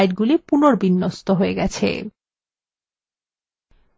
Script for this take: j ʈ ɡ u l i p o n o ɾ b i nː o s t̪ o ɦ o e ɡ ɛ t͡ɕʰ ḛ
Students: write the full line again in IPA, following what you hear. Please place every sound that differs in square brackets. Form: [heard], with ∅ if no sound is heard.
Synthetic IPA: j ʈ ɡ u l i p [u] n o ɾ b i nː o s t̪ o ɦ o e ɡ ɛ t͡ɕʰ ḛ